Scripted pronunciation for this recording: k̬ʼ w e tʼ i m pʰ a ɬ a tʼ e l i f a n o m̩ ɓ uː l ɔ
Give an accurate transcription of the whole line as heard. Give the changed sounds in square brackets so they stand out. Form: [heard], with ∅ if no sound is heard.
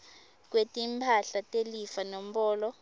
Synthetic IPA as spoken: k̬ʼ w e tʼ i m pʰ a ɬ a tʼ e l i f a n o m̩ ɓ [ɔː] l ɔ